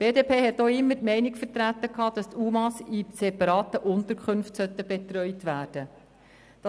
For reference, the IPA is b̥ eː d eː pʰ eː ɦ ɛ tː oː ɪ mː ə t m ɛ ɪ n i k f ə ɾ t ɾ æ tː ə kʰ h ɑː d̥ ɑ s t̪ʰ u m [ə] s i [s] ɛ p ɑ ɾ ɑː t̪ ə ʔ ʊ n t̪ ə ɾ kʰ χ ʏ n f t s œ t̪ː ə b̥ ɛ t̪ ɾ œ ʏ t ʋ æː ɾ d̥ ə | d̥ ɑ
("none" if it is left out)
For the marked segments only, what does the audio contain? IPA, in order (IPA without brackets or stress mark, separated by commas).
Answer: ɑ, s